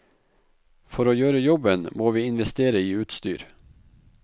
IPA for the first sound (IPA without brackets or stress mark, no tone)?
f